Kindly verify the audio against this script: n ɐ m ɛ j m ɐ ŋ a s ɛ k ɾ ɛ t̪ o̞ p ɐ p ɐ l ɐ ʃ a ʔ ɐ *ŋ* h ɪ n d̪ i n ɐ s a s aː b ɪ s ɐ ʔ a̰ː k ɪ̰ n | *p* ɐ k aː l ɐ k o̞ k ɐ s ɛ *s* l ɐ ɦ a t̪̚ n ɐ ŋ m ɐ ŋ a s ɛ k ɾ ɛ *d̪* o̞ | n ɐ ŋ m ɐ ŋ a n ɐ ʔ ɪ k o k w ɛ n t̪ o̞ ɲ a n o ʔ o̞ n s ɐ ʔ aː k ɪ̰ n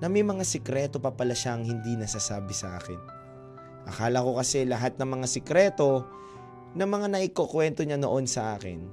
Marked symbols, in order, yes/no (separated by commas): yes, no, no, no